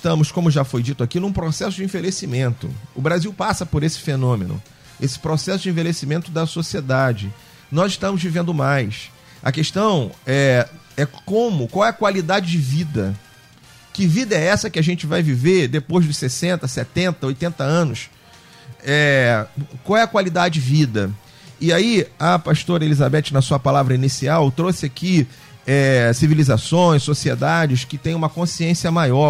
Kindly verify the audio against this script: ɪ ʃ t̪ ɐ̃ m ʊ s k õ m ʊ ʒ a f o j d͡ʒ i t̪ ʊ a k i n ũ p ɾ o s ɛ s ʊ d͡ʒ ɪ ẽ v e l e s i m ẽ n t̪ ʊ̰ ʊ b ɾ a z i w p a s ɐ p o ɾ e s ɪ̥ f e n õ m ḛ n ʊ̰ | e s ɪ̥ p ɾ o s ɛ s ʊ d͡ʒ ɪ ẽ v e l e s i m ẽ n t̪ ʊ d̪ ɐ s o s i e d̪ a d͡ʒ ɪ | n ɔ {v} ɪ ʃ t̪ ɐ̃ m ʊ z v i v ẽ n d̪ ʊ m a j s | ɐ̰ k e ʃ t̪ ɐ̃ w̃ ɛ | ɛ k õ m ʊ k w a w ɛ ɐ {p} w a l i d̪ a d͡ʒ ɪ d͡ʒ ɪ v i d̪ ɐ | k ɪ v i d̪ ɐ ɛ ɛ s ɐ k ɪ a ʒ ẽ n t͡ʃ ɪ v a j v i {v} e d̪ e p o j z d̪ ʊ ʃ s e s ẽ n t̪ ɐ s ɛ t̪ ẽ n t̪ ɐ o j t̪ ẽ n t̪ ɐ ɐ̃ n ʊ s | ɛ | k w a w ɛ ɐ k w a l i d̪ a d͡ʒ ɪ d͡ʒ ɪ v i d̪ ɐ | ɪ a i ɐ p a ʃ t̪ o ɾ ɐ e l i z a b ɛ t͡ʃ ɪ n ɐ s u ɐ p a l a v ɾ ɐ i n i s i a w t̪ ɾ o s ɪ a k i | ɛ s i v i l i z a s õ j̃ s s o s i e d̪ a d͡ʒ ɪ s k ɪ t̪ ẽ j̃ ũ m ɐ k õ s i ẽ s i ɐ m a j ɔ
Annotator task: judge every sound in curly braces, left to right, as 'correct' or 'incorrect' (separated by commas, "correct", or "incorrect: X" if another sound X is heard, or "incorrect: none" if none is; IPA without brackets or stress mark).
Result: incorrect: z, incorrect: k, correct